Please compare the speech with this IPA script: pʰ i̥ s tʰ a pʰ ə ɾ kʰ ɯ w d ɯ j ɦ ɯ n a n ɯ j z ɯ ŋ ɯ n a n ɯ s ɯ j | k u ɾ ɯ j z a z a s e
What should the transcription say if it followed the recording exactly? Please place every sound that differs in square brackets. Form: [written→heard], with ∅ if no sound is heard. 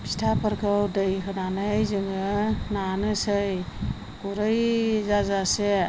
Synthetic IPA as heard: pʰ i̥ s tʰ a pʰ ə ɾ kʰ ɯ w d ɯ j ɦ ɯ n a n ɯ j z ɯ ŋ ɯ n a n ɯ s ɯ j | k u ɾ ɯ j z a z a s e